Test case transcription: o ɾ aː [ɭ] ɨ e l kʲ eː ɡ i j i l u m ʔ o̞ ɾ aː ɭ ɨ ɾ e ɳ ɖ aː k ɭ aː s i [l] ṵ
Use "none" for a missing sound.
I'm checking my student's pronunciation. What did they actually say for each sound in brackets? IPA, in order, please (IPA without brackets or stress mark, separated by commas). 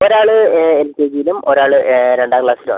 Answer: ɭ, l